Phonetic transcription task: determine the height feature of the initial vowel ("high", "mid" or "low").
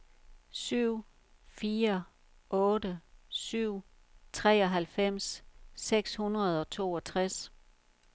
high